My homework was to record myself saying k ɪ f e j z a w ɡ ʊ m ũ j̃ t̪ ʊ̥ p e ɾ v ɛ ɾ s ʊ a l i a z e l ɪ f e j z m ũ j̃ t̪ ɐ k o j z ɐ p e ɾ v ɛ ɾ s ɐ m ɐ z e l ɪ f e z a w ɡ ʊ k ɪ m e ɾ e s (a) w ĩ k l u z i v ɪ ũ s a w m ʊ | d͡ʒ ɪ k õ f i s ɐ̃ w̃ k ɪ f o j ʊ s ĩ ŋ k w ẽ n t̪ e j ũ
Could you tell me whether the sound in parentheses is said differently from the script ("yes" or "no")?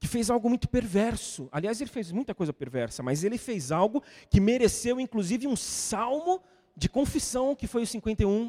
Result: yes